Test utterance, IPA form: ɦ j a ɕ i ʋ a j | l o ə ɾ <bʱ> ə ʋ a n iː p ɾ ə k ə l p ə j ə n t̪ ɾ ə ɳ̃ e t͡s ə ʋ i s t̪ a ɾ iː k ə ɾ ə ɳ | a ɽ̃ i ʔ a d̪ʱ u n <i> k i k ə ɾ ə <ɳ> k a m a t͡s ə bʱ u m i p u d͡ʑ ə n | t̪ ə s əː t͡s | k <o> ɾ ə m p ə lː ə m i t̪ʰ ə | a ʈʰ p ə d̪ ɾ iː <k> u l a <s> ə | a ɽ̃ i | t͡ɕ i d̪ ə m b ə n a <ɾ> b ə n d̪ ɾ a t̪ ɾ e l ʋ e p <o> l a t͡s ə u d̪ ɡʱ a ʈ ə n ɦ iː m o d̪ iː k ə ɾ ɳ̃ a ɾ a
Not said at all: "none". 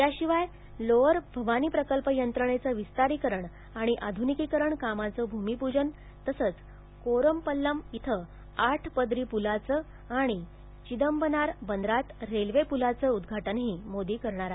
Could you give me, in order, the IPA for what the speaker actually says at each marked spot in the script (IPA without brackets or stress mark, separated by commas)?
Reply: bʱ, i, ɳ, o, p, t͡s, ɾ, u